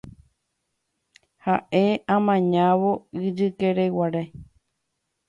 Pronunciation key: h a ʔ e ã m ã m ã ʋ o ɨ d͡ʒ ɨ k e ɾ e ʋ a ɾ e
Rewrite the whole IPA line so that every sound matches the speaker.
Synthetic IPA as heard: h a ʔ e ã m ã ɲ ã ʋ o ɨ d͡ʒ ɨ k e ɾ e w a ɾ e